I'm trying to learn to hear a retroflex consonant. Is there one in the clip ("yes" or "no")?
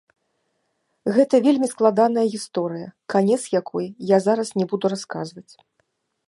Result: no